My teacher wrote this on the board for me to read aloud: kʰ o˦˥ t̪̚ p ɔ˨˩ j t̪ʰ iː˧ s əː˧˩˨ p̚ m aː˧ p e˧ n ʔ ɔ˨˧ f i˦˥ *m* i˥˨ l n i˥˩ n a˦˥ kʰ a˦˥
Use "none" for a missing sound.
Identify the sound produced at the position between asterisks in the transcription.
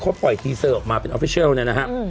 none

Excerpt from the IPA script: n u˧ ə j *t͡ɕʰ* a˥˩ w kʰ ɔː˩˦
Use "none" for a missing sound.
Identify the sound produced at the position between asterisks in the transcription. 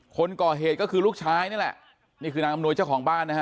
t͡ɕ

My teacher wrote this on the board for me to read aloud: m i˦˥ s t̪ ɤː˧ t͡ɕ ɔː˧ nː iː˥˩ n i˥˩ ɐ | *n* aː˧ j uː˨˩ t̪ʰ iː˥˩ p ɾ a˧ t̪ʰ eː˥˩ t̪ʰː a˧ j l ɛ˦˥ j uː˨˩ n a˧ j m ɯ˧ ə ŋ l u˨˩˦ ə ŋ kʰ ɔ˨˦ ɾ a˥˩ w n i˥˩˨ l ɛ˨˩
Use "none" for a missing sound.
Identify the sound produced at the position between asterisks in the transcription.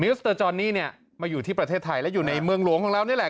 m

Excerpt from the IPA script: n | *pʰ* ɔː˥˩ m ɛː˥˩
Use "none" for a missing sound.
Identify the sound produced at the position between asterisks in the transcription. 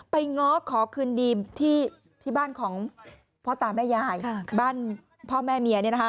pʰ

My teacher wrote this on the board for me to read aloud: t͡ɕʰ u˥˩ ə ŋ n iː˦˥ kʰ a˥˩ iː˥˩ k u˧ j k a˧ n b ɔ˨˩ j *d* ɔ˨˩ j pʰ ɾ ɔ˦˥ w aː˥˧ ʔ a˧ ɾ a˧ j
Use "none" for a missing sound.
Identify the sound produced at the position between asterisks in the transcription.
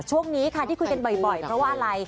b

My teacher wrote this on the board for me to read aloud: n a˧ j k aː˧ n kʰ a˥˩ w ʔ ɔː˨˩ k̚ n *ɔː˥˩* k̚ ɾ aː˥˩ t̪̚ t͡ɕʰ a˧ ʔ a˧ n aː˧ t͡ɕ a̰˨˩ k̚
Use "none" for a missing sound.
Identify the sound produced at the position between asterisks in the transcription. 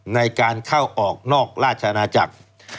ɔː˥˩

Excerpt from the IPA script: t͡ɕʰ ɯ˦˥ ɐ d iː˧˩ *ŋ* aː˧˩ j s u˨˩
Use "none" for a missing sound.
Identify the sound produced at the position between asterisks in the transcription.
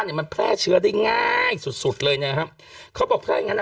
ŋ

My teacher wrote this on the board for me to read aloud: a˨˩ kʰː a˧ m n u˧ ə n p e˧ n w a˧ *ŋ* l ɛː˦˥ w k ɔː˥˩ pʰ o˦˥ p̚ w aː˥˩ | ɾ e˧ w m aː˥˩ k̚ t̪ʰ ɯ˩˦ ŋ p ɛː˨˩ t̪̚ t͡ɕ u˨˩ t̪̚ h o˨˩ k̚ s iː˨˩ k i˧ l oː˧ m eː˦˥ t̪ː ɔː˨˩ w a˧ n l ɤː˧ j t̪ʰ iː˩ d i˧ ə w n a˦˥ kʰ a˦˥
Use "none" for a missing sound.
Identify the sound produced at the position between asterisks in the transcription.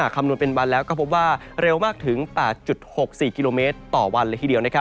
n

